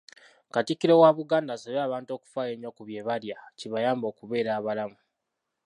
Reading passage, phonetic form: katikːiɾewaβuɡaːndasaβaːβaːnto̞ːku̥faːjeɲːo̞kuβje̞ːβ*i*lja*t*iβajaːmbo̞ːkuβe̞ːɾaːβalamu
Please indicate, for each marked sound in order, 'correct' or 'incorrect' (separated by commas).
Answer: incorrect, incorrect